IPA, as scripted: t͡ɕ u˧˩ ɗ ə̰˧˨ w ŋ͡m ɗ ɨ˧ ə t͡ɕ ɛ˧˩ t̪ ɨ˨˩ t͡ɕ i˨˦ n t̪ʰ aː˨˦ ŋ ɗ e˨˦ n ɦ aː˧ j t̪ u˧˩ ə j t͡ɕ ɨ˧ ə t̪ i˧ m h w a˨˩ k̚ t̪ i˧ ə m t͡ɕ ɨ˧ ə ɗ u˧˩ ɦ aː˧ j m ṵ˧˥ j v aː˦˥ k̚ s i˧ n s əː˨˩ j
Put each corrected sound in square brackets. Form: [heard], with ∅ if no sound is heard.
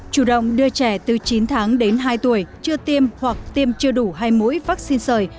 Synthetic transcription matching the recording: t͡ɕ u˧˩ ɗ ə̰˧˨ w ŋ͡m ɗ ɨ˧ ə t͡ɕ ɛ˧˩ t̪ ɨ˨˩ t͡ɕ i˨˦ n t̪ʰ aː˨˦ ŋ ɗ e˨˦ n ɦ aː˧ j t̪ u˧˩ ə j t͡ɕ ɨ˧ ə t̪ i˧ m h w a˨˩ k̚ t̪ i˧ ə m t͡ɕ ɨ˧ ə ɗ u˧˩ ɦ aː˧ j m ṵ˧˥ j v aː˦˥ k̚ s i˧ n s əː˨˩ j